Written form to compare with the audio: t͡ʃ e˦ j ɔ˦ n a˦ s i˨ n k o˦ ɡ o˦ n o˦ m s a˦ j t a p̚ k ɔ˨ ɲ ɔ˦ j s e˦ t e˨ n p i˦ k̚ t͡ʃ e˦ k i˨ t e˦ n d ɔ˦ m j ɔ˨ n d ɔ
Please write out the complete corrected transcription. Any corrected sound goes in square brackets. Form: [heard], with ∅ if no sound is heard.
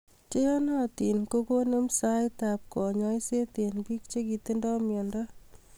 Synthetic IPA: t͡ʃ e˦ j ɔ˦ n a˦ [t] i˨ n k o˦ [k] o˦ n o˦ m s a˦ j t a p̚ k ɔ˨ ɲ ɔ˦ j s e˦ t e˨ n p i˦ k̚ t͡ʃ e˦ k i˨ t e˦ n d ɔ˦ m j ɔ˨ n d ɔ